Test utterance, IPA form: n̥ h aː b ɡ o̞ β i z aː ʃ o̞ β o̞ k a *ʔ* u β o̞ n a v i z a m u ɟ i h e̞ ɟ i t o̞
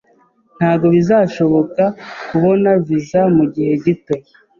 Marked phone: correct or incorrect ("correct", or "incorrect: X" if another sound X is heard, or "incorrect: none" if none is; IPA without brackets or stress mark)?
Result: incorrect: k